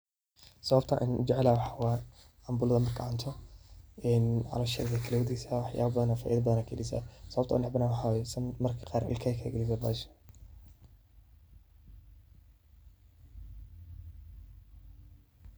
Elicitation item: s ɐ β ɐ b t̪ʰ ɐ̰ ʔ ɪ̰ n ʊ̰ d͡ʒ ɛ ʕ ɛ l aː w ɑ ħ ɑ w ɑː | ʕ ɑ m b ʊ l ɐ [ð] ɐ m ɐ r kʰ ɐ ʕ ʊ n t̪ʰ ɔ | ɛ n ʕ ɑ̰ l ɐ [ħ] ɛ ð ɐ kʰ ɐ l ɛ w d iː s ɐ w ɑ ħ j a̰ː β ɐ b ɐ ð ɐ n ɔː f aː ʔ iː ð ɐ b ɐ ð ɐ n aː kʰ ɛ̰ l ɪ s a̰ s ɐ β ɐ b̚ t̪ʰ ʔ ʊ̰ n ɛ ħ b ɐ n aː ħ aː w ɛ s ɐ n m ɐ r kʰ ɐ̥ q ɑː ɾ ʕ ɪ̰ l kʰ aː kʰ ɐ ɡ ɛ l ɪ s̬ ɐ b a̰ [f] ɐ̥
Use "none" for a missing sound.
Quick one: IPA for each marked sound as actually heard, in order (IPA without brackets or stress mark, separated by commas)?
ð, ʃ, ʃ